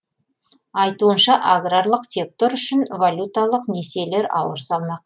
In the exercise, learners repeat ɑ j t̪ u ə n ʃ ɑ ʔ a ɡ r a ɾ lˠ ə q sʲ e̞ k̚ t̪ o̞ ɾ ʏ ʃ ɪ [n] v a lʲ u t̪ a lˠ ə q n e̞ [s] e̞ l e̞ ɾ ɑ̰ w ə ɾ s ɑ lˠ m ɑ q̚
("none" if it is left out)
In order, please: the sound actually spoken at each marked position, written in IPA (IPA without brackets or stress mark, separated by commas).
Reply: n, s